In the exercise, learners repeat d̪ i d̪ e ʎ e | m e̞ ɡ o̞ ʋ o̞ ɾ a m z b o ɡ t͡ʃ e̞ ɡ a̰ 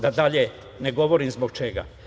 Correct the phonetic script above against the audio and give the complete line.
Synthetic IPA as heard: d̪ a d̪ a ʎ e | n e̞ ɡ o̞ ʋ o̞ ɾ i m z b o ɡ t͡ʃ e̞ ɡ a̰